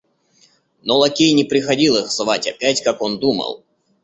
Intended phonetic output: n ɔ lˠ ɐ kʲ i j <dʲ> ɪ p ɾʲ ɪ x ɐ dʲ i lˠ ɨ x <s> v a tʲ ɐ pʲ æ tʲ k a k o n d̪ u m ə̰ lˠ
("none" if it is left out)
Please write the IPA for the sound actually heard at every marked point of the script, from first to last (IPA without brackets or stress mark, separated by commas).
nʲ, z